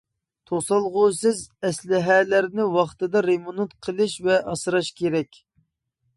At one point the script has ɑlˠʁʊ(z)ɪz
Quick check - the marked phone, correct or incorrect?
incorrect